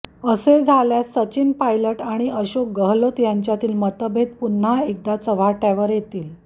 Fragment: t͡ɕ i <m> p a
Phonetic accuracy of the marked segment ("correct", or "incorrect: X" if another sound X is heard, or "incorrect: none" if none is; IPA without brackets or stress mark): incorrect: n